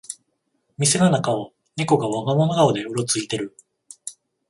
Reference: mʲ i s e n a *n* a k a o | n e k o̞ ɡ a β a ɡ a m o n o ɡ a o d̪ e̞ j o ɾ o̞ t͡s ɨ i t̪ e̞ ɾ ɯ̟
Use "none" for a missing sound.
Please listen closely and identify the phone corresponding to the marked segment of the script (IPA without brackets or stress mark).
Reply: n